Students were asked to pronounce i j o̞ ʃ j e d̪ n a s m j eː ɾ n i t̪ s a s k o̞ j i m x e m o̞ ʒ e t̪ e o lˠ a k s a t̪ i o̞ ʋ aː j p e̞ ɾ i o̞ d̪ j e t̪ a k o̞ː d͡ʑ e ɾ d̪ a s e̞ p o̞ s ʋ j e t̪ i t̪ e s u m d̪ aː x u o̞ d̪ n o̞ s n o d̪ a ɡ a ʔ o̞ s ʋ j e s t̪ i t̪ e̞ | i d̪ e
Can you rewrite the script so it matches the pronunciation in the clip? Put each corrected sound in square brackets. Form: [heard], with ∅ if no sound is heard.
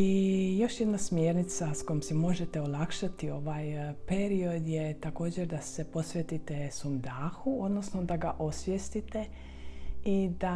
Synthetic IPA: i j o̞ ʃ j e d̪ n a s m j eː ɾ n i t̪ s a s k o̞ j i m [s] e m o̞ ʒ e t̪ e o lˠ a k [ʃ] a t̪ i o̞ ʋ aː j p e̞ ɾ i o̞ d̪ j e t̪ a k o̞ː d͡ʑ e ɾ d̪ a s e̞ p o̞ s ʋ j e t̪ i t̪ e s u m d̪ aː x u o̞ d̪ n o̞ s n o d̪ a ɡ a ʔ o̞ s ʋ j e s t̪ i t̪ e̞ | i d̪ [a]